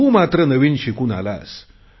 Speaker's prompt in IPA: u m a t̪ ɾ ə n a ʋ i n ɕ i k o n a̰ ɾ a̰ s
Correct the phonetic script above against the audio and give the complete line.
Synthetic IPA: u m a t̪ ɾ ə n ə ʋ i n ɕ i k u n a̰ l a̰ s

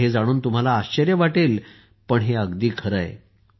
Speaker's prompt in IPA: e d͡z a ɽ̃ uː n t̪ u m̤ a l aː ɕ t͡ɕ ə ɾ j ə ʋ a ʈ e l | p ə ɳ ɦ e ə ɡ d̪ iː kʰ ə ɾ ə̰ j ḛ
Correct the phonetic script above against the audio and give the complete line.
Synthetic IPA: e d͡z a ɽ̃ uː n t̪ u m̤ a l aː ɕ t͡ɕ ə ɾ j ə ʋ a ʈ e l | p ə ɳ ɦ e ə ɡ d̪ iː kʰ ə ɾ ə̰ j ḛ

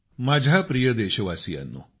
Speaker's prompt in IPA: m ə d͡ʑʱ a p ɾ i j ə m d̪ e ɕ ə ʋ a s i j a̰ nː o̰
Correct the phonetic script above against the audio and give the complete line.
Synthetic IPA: m a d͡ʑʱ a p ɾ i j ə d̪ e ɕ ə ʋ a s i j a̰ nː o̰

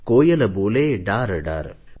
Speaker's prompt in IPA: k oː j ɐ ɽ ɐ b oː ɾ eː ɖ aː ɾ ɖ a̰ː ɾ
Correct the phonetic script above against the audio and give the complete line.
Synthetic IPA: k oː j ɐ l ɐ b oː l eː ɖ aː ɾ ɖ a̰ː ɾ

